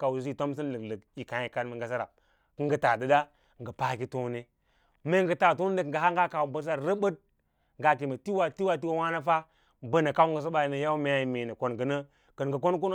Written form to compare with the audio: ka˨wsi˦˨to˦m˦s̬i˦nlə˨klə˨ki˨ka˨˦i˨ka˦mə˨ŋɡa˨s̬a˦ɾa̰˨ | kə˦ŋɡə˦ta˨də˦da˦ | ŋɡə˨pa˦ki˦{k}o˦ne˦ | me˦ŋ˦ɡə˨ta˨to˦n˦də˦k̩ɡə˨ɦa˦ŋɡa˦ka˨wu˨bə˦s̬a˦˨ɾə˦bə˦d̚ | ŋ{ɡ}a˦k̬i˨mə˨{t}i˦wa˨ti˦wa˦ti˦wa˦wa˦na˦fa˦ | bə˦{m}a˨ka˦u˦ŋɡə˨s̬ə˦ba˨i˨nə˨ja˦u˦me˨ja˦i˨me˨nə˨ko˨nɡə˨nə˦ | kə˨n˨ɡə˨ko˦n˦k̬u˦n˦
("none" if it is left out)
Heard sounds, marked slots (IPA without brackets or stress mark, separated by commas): t, ɡ, t, n